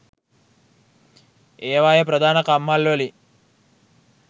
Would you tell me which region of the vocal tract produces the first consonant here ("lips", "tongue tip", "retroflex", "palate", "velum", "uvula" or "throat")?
lips